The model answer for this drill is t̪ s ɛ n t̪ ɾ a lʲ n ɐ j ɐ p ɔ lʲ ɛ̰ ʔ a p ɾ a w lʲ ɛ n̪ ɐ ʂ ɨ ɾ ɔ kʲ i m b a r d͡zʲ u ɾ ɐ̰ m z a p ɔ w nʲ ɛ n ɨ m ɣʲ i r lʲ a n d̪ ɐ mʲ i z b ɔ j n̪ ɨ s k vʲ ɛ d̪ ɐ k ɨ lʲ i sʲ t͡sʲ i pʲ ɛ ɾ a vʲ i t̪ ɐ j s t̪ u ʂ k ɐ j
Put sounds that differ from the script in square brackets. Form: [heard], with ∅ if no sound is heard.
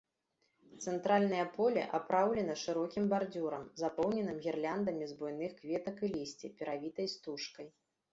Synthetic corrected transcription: t̪ s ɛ n t̪ ɾ a lʲ n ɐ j ɐ p ɔ lʲ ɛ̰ ʔ a p ɾ a w lʲ ɛ n̪ ɐ ʂ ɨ ɾ ɔ kʲ i m b a r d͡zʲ u ɾ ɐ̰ m z a p ɔ w nʲ ɛ n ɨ m ɣʲ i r lʲ a n d̪ ɐ mʲ i z b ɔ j n̪ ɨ [x] k vʲ ɛ [t̪] ɐ k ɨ lʲ i sʲ t͡sʲ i pʲ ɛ ɾ a vʲ i t̪ ɐ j s t̪ u ʂ k ɐ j